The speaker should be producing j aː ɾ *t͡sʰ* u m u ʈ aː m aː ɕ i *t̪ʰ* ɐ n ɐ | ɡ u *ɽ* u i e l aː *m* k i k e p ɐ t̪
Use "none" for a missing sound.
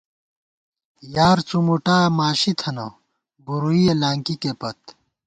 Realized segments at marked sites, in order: t͡s, t̪ʰ, ɾ, ŋ

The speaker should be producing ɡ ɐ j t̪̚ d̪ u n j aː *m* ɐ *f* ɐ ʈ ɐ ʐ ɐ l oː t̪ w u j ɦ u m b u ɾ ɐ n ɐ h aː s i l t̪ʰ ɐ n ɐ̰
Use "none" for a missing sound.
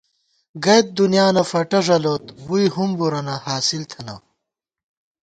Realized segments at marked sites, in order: n, f

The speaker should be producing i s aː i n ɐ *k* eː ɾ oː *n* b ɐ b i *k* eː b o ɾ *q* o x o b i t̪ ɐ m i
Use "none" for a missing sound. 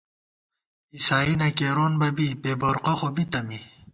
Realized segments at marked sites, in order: k, n, p, q

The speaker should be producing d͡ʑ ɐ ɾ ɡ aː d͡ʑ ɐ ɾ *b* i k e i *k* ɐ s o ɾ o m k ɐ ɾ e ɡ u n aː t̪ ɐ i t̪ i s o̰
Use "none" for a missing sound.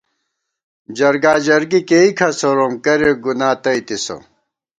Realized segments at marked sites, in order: ɡ, kʰ

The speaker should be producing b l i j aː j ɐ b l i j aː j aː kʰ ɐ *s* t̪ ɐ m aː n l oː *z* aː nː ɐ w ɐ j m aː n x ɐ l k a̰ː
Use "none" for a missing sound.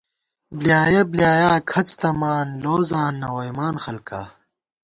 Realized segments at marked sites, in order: t͡s, z

